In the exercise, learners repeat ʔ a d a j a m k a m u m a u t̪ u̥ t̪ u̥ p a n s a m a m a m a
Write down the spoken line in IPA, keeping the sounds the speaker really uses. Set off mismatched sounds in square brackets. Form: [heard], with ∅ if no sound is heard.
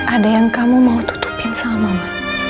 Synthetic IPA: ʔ a d a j a [ŋ] k a m u m a u t̪ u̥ t̪ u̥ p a n s a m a m a m a